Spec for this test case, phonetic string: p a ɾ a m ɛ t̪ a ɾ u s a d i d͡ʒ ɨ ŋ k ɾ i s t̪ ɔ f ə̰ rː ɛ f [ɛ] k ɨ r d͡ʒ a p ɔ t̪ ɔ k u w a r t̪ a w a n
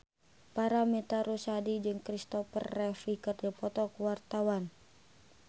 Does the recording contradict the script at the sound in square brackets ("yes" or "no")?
yes